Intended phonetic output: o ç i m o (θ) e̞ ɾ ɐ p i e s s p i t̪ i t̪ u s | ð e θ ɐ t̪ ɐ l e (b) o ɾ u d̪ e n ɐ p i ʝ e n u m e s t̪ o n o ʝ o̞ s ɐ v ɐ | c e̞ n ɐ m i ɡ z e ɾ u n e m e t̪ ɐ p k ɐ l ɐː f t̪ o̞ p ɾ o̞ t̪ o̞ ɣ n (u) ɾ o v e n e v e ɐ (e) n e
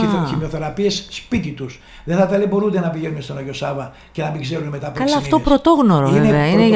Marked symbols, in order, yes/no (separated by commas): yes, yes, no, no